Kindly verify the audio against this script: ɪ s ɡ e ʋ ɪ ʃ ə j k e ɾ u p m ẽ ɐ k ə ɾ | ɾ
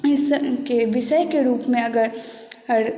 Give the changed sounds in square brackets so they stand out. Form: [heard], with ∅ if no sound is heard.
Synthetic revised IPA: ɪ s [k] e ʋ ɪ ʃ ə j k e ɾ [uː] p m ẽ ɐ [ɡ] ə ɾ | ɾ